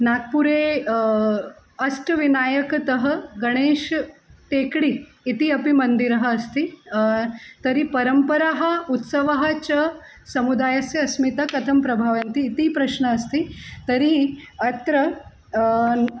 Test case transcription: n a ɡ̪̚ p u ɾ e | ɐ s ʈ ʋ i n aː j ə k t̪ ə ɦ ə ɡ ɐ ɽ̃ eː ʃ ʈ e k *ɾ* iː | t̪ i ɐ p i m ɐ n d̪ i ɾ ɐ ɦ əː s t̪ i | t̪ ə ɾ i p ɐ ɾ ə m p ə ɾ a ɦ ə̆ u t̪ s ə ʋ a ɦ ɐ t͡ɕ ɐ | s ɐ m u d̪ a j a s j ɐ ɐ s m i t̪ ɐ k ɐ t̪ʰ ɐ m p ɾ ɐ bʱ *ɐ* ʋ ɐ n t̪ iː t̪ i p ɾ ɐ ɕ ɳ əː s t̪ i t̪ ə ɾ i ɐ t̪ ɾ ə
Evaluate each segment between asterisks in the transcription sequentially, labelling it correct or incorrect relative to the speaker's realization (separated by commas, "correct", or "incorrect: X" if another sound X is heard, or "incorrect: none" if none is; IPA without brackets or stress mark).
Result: incorrect: ɽ, incorrect: a